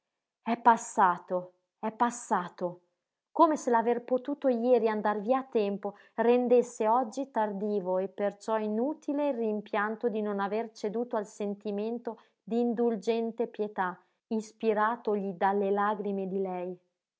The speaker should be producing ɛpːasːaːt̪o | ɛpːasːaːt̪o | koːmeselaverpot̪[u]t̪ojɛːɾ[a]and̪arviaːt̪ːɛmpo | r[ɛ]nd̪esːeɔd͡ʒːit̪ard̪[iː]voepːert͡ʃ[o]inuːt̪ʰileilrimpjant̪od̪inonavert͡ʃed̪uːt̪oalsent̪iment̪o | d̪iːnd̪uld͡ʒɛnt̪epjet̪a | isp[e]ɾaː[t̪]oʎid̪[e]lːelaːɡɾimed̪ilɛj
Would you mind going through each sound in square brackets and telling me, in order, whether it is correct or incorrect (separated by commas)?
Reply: incorrect, incorrect, incorrect, correct, incorrect, incorrect, correct, incorrect